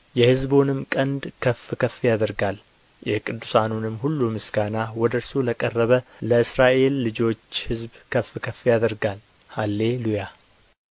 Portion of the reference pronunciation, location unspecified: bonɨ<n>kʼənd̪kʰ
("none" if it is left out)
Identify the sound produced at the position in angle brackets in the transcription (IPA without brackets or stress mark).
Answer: m